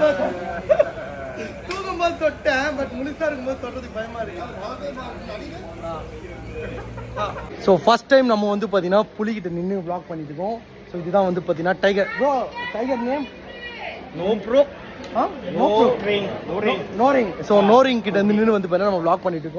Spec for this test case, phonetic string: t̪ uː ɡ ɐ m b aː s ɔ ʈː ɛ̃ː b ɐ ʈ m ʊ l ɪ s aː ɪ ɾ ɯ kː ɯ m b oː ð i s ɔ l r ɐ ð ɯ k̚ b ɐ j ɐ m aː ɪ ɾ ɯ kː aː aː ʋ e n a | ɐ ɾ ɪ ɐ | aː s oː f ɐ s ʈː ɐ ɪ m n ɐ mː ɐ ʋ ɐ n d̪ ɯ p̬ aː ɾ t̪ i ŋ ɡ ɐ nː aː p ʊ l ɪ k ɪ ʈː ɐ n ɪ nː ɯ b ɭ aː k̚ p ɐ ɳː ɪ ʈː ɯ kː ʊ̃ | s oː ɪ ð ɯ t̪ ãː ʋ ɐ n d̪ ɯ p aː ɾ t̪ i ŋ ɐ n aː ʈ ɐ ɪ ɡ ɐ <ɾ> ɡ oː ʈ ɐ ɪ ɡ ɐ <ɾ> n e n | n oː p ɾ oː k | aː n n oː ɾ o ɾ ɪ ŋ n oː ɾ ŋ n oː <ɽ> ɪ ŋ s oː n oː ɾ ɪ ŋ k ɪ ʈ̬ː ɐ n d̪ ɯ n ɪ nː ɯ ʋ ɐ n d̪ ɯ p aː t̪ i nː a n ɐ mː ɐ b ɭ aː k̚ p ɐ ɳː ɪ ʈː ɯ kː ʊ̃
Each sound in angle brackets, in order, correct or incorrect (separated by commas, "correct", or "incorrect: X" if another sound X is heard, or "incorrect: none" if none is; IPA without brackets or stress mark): correct, correct, incorrect: ɾ